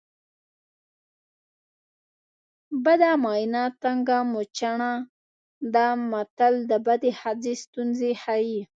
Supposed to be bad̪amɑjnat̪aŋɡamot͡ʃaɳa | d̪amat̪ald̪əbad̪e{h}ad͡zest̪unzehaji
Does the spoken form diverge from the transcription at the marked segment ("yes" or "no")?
no